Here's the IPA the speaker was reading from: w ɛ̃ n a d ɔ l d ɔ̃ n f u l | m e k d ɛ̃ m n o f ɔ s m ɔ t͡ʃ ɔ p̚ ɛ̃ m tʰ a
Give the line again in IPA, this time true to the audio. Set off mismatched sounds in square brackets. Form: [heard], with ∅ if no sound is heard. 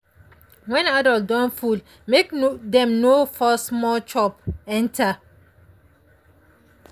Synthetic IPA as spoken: w ɛ̃ n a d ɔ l d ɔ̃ n f u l | m e k d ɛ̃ m n o f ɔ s m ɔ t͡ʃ ɔ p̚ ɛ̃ [n] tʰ a